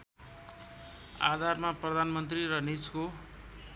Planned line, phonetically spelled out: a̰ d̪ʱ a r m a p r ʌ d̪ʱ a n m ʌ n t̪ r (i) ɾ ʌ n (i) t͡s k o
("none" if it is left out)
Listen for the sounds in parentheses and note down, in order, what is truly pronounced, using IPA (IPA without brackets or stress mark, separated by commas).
i, i